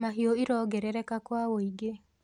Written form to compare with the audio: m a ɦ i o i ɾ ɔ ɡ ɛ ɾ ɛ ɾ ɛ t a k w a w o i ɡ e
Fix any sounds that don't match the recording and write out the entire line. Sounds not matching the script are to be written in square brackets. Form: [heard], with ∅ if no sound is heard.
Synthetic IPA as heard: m a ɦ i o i ɾ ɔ ɡ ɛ ɾ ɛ ɾ ɛ [k] a k w a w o i ɡ e